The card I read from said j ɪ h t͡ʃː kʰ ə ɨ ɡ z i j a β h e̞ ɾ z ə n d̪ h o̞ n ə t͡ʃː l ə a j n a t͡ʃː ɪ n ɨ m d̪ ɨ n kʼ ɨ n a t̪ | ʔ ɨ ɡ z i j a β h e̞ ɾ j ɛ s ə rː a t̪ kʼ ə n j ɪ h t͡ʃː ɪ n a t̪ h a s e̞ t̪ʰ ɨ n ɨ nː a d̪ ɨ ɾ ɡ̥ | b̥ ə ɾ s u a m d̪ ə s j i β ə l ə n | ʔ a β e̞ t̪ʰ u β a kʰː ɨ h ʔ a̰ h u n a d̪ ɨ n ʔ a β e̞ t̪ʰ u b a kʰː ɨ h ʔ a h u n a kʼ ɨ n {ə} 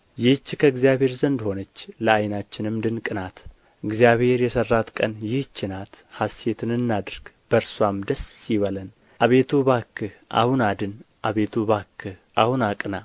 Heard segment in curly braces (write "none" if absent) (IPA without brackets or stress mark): a